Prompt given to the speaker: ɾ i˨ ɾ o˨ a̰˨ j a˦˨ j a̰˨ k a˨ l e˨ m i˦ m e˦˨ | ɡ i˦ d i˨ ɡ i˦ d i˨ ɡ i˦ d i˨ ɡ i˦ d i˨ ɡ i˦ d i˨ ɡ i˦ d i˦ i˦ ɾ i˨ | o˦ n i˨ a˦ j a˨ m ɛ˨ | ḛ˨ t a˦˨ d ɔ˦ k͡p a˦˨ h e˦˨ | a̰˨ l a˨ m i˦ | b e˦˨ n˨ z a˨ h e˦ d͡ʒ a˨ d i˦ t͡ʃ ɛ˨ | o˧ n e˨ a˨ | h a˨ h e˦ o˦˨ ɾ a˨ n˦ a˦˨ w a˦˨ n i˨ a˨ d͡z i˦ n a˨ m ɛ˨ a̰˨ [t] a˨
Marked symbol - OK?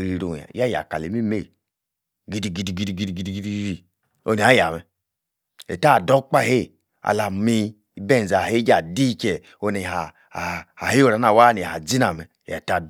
yes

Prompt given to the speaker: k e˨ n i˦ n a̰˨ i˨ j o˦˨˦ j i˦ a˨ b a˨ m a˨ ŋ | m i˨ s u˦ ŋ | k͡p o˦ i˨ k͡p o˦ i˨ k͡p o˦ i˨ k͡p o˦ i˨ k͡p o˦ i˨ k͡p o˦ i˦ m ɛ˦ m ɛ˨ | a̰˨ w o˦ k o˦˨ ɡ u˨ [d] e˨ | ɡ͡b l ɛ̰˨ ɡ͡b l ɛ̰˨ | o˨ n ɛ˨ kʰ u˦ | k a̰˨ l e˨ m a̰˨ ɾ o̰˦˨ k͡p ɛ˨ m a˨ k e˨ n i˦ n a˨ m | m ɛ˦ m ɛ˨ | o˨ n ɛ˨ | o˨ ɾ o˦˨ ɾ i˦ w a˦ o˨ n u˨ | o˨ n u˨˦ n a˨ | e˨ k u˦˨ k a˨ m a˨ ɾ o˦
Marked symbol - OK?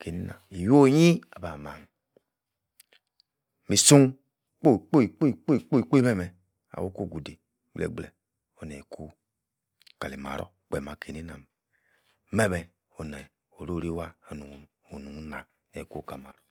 yes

